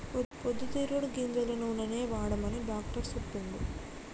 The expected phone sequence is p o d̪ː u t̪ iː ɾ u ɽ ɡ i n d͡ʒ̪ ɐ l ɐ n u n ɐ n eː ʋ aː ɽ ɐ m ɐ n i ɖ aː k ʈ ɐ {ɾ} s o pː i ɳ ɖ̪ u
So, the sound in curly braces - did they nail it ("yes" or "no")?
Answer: yes